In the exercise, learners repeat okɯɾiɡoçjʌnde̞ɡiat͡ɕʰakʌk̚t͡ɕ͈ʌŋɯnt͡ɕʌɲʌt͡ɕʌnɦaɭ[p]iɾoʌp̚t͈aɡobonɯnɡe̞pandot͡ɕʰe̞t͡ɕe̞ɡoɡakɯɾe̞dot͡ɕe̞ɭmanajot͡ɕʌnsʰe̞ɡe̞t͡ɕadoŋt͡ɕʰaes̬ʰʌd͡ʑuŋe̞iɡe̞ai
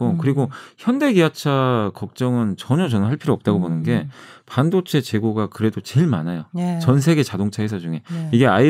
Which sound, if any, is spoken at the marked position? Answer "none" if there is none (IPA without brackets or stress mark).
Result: pʰ